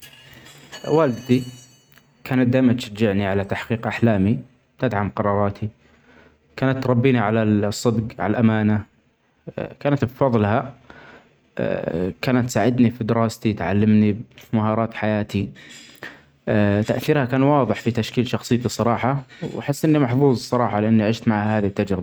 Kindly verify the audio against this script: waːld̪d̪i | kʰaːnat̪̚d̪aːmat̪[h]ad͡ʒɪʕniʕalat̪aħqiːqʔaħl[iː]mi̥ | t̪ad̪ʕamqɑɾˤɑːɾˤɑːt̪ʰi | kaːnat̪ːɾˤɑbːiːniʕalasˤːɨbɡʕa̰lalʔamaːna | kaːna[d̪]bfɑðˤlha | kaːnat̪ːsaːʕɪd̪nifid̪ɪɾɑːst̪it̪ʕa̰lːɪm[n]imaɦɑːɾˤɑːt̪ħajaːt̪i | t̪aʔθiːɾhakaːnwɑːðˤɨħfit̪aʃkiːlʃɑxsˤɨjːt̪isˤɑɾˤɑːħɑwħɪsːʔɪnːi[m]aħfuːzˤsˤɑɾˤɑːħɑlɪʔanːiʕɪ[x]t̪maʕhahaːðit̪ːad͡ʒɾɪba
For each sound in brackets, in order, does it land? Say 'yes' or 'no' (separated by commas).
no, no, no, yes, yes, no